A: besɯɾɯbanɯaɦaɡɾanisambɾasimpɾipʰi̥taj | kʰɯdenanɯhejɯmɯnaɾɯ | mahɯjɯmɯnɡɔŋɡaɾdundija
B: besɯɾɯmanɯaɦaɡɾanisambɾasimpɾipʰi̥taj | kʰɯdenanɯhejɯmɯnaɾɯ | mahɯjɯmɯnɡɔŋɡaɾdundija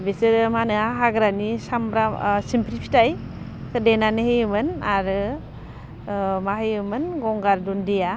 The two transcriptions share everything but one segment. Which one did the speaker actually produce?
B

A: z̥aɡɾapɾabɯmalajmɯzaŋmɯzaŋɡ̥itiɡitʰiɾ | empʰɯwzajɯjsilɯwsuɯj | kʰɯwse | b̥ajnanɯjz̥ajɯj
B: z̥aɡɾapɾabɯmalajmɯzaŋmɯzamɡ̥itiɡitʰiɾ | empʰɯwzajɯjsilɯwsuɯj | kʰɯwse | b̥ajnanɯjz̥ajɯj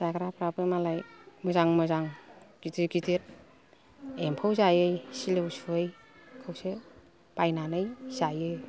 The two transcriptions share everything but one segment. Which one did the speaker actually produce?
A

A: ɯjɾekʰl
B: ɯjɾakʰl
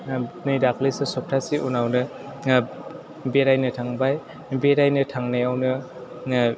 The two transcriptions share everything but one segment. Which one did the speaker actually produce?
B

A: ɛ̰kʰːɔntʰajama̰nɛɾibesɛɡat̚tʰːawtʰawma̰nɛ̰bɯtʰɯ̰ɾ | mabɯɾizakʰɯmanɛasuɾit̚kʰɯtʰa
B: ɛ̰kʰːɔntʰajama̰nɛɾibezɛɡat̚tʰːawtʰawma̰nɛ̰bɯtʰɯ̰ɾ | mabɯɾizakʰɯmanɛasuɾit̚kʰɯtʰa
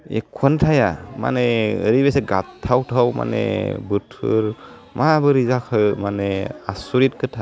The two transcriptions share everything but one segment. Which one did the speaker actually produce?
A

